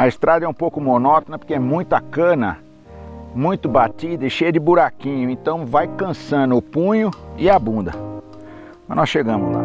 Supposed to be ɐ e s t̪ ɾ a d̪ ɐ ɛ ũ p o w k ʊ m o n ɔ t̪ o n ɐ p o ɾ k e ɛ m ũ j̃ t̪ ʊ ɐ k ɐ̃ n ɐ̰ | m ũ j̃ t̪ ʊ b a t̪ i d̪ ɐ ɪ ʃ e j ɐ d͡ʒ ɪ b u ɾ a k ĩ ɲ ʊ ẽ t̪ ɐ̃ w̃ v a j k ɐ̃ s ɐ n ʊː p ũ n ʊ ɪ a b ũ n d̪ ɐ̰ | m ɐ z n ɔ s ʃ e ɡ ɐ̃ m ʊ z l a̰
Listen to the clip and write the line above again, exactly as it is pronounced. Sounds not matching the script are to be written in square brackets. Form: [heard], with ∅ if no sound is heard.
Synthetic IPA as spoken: ɐ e s t̪ ɾ a d̪ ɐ ɛ ũ p o w k ʊ m o n ɔ t̪ o n ɐ p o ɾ k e ɛ m ũ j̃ t̪ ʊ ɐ k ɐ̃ n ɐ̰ | m ũ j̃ t̪ ʊ b a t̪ i d̪ ɐ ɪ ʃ e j ɐ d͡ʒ ɪ b u ɾ a k ĩ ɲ ʊ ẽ t̪ ɐ̃ w̃ v a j k ɐ̃ s [ɐ̃] n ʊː p ũ [ɲ] ʊ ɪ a b ũ n d̪ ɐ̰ | m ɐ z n ɔ s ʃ e ɡ ɐ̃ m ʊ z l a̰